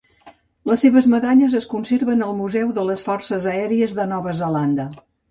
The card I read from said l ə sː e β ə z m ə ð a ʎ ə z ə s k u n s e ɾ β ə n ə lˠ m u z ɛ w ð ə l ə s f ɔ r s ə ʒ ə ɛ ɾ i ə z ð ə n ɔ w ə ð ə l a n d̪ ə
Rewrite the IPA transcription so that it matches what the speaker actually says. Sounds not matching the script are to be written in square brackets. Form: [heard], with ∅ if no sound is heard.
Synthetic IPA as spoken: l ə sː e β ə z m ə ð a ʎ ə z ə s k u n s e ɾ β ə n ə lˠ m u z ɛ w ð ə l ə s f ɔ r s ə [z] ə ɛ ɾ i ə z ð ə n ɔ [β] ə [z] ə l a n d̪ ə